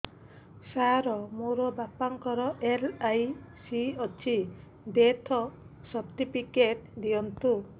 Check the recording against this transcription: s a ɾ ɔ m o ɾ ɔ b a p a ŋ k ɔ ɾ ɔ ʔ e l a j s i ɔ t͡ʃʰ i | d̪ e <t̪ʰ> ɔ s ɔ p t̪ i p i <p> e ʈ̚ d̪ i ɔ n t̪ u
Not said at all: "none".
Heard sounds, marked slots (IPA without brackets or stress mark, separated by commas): t̪ʰ, k